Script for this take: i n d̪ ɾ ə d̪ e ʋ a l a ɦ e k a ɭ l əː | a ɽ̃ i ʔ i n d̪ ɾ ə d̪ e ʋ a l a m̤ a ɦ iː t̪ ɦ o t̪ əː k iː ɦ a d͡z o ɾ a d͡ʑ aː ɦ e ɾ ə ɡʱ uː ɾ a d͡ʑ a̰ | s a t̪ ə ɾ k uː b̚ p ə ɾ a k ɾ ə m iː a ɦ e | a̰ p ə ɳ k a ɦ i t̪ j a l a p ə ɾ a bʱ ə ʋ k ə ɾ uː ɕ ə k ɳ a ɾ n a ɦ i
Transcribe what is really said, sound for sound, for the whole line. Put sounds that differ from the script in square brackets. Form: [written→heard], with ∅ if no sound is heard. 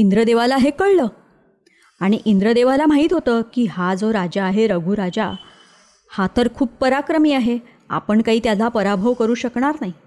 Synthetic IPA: i n d̪ ɾ ə d̪ e ʋ a l a ɦ e k [a→ə] ɭ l əː | a ɽ̃ i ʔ i n d̪ ɾ ə d̪ e ʋ a l a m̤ a ɦ iː t̪ ɦ o t̪ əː k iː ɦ a d͡z o ɾ a d͡ʑ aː ɦ e ɾ ə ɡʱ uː ɾ a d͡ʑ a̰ | [s→h] a t̪ ə ɾ [k→kʰ] uː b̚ p ə ɾ a k ɾ ə m iː a ɦ e | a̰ p ə ɳ k a ɦ [i→iː] t̪ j a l a p ə ɾ a bʱ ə ʋ k ə ɾ uː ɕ ə k ɳ a ɾ n a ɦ i